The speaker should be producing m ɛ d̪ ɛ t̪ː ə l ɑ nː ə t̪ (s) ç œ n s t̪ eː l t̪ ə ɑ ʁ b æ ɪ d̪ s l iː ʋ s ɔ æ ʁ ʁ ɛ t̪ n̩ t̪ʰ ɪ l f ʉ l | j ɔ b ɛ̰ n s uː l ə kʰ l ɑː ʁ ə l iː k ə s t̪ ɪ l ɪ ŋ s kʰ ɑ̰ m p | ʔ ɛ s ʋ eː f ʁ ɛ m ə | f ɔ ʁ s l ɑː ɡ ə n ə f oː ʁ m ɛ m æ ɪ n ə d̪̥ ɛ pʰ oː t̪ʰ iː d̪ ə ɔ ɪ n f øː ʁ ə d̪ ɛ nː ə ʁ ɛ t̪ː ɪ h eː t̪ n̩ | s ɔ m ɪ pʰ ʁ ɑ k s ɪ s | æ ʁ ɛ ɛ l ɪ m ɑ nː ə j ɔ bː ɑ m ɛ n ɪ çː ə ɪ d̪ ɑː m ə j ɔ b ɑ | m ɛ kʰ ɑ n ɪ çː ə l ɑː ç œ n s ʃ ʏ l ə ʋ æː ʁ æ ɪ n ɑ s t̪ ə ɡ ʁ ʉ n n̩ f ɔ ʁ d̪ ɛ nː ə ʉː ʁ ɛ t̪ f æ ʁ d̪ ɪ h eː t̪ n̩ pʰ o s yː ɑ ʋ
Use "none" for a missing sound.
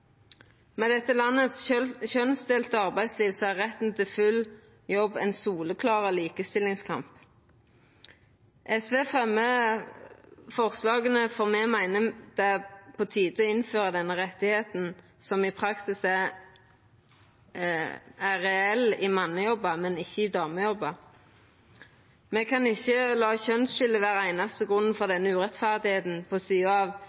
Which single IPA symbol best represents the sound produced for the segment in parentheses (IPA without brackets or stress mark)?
s